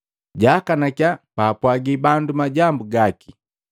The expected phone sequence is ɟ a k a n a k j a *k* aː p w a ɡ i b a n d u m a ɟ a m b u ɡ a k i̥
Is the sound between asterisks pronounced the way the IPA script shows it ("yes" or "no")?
no